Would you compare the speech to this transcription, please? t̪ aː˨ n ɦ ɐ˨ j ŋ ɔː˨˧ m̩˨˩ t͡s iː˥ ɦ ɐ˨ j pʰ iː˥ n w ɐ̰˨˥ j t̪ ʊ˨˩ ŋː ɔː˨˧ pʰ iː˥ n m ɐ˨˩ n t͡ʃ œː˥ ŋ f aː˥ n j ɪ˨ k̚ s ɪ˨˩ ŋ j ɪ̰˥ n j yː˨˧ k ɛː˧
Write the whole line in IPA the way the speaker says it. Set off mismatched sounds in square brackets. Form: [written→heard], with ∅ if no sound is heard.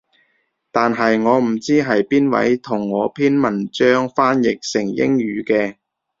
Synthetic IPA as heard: t̪ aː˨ n ɦ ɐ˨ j ŋ ɔː˨˧ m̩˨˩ t͡s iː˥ ɦ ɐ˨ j [pʰ→p] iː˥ n w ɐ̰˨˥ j [t̪→t̪ʰ] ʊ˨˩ ŋː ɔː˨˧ pʰ iː˥ n m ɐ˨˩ n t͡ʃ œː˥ ŋ f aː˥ n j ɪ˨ k̚ s ɪ˨˩ ŋ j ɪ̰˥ [n→ŋ] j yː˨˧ k ɛː˧